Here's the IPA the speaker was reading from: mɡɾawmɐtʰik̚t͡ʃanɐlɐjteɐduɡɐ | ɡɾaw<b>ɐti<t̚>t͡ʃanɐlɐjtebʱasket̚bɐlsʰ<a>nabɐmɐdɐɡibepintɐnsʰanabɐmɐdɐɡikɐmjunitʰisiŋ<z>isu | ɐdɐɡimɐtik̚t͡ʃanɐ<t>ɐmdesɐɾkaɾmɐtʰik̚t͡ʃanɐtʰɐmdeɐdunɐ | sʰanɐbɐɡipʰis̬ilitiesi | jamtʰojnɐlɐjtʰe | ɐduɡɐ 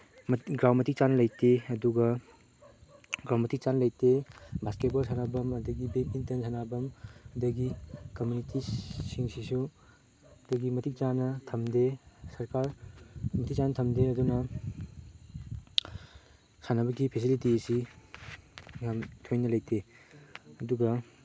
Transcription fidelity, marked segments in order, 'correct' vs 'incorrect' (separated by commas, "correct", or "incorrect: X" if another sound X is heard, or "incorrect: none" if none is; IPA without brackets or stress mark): incorrect: m, incorrect: k̚, correct, incorrect: s, incorrect: tʰ